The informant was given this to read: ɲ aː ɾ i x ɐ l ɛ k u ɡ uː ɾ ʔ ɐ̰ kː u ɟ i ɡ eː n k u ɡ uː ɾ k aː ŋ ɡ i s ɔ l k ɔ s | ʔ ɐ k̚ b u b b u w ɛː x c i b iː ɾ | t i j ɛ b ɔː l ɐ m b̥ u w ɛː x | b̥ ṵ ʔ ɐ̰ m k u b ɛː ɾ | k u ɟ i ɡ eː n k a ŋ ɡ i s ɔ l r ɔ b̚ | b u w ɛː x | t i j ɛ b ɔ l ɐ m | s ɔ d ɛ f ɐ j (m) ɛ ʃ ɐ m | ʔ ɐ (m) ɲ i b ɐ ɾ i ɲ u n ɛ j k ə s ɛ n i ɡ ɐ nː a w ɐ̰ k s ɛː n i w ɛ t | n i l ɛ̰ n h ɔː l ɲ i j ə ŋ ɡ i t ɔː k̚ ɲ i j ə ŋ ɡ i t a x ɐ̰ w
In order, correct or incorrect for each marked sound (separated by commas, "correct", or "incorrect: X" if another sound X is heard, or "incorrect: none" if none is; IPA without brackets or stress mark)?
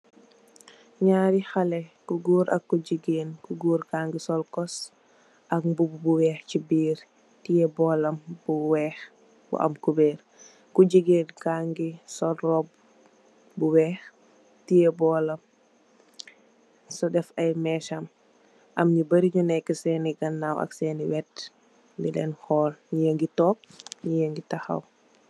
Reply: correct, correct